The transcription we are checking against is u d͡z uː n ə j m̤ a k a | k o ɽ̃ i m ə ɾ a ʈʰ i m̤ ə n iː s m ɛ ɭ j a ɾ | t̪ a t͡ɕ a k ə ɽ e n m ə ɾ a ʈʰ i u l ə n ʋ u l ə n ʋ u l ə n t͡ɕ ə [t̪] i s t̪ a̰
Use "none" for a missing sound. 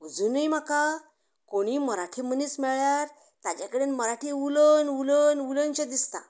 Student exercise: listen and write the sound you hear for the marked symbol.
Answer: d̪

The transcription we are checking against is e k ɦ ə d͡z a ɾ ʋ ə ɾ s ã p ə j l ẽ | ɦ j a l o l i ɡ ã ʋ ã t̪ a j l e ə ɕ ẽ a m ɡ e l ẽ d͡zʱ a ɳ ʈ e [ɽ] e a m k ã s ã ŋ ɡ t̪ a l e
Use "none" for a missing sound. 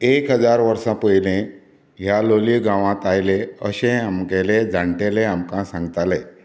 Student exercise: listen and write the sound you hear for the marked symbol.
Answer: l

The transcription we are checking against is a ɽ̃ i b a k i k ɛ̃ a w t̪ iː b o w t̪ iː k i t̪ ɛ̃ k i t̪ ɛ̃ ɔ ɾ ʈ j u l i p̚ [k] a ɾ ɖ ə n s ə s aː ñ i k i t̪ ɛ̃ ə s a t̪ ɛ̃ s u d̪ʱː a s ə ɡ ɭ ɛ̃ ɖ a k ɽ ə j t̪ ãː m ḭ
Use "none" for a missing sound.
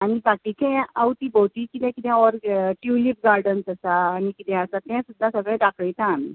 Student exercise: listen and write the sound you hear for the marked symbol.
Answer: ɡ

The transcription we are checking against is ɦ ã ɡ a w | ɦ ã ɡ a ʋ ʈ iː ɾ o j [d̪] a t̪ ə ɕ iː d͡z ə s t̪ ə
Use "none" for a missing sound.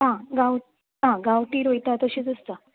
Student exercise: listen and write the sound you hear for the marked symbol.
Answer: t̪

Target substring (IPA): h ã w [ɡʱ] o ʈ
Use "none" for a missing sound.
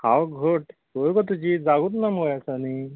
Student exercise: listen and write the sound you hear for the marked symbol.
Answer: ɡʱ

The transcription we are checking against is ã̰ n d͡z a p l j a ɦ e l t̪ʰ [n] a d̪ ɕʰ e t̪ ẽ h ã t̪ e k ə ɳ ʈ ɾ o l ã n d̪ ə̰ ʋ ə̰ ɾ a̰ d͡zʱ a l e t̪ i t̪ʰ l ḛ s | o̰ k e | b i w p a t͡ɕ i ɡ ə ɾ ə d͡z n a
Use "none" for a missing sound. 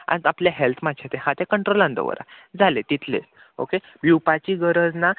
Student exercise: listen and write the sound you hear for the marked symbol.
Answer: m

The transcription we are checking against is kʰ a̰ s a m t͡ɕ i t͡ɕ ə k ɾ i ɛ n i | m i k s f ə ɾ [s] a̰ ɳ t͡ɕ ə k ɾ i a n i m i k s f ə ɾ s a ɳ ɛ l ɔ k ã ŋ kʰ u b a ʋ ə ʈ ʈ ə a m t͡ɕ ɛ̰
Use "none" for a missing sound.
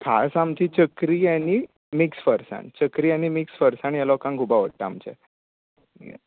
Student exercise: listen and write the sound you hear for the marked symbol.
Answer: s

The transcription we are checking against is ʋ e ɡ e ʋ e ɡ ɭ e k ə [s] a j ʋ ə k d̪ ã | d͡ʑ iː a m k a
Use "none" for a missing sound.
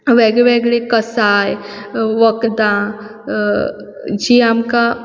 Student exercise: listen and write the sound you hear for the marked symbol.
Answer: s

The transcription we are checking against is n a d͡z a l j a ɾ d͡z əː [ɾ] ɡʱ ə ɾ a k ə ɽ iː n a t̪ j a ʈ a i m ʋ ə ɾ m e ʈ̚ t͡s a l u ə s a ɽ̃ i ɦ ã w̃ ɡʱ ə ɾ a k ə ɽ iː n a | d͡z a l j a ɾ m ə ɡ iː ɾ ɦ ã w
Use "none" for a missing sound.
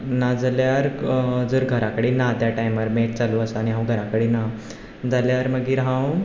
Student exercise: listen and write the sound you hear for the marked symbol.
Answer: ɾ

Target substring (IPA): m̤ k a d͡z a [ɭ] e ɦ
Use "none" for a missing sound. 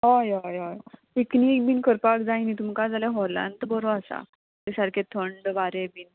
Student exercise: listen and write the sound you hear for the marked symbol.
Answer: l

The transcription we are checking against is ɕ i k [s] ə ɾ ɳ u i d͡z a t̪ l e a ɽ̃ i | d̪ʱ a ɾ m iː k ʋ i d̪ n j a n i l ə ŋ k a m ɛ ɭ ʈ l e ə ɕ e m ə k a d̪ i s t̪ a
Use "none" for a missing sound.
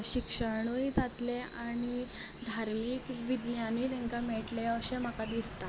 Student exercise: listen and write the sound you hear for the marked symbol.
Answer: ʂ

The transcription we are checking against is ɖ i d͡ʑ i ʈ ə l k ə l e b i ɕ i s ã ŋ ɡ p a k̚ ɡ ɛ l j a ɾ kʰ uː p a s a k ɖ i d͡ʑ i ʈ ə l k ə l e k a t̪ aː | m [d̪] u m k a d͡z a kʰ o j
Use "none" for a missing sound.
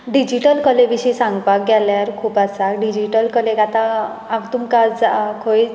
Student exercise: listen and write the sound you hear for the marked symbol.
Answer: t̪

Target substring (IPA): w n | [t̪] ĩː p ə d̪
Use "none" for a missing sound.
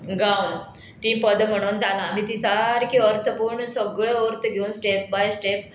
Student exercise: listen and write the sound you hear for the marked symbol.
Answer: t̪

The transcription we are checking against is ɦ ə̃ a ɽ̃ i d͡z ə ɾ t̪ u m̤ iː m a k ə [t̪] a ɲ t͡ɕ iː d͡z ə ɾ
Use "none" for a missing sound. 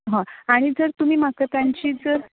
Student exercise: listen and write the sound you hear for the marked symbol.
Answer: t̪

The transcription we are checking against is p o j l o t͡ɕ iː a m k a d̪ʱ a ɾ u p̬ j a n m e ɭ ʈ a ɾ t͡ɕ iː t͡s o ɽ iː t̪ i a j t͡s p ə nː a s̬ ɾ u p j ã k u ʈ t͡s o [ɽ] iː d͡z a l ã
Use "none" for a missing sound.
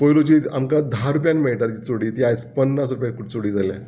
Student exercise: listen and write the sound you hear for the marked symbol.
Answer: ɽ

